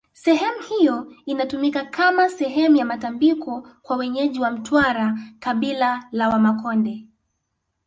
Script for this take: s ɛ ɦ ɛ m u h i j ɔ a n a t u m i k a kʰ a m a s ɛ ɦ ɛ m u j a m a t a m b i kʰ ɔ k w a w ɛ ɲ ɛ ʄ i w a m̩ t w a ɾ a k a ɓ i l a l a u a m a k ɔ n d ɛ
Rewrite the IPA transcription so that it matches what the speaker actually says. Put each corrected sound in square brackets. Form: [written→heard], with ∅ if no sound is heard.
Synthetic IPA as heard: s ɛ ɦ ɛ m u h i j ɔ [a→i] n a t u m i k a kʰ a m a s ɛ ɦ ɛ m u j a m a t a m b i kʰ ɔ k w a w ɛ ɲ ɛ ʄ i w a m̩ t w a ɾ a k a ɓ i l a l a [u→w] a m a k ɔ n d ɛ